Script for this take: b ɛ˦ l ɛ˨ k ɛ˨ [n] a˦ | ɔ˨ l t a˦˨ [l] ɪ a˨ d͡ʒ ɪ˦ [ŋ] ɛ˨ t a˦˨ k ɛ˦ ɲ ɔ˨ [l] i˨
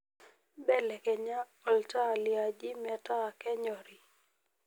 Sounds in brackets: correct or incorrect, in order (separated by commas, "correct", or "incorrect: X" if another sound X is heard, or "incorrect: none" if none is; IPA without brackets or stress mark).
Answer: incorrect: ɲ, correct, incorrect: m, incorrect: ɾ